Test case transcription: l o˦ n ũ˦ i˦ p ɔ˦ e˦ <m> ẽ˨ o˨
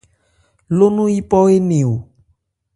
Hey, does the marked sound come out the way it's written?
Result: no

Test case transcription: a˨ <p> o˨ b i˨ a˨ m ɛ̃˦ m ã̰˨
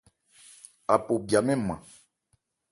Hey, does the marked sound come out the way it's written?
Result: yes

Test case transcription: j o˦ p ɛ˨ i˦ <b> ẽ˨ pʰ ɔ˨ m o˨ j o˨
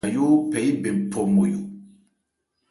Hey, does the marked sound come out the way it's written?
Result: yes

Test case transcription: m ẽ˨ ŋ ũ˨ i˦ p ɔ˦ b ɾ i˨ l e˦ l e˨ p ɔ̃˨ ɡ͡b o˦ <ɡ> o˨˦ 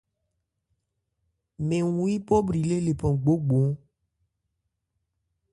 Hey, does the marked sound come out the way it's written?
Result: no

